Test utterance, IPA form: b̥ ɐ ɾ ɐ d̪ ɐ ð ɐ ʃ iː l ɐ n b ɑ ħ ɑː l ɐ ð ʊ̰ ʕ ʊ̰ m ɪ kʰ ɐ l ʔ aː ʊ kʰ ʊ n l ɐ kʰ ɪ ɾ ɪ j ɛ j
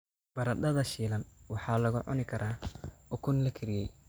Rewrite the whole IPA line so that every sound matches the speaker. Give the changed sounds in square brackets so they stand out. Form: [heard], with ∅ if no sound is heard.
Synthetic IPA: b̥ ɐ ɾ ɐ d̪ ɐ ð ɐ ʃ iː l ɐ n [w] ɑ ħ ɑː l ɐ [ɣ] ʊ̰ ʕ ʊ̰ [n] ɪ kʰ ɐ [ɾ] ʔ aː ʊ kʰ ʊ n l ɐ kʰ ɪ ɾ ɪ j ɛ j